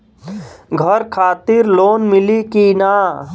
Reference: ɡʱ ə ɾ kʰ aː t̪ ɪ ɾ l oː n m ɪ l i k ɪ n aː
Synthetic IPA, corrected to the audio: ɡʱ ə ɾ kʰ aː t̪ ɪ ɾ l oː n m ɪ l i k i n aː

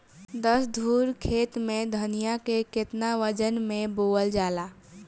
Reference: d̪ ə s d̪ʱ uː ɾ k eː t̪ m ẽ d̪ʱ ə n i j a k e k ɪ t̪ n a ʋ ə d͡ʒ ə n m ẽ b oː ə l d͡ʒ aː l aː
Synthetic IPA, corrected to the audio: d̪ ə s d̪ʱ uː ɾ kʰ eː t̪ m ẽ d̪ʱ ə n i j a k e k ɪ t̪ n a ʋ ə d͡ʒ ə n m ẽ b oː ə l d͡ʒ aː l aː

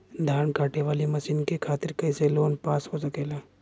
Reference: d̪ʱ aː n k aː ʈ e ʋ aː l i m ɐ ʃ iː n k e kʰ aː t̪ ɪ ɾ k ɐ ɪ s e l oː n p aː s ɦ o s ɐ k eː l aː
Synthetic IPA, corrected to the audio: d̪ʱ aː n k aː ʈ e ʋ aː l i m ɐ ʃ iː n k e kʰ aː t̪ ɪ ɾ k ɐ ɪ s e l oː n p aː s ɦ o s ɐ k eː l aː

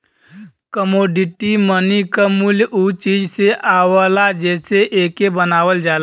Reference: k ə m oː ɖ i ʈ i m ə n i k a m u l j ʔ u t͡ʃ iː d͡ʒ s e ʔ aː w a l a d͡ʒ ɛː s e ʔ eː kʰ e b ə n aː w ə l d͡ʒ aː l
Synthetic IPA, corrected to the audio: k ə m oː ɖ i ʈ i m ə n i k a m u l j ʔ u t͡ʃ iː d͡ʒ s e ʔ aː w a l a d͡ʒ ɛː s e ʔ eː k e b ə n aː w ə l d͡ʒ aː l

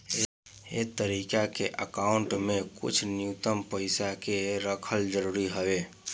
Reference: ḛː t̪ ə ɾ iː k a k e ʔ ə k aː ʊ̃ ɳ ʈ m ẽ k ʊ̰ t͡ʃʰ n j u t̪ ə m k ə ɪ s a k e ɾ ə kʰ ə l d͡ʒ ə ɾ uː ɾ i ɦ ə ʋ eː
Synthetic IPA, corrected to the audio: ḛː t̪ ə ɾ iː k a k e ʔ ə k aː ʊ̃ ɳ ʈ m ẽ k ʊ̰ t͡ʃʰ n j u t̪ ə m p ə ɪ s a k e ɾ ə kʰ ə l d͡ʒ ə ɾ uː ɾ i ɦ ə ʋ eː

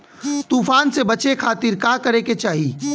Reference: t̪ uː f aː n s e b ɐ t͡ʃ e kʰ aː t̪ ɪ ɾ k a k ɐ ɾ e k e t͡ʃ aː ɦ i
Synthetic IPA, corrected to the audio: t̪ uː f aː n s e b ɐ t͡ʃ e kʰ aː t̪ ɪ ɾ k a k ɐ ɾ e k e t͡ʃ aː ɦ i

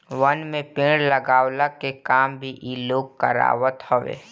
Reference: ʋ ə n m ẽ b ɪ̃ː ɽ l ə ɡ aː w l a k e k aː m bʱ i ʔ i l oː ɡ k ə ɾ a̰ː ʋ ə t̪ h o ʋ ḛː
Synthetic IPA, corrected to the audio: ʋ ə n m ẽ p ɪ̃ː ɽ l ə ɡ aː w l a k e k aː m bʱ i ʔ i l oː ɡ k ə ɾ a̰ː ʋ ə t̪ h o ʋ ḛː

